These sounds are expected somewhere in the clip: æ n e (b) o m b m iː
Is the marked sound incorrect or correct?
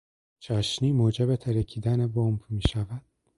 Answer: correct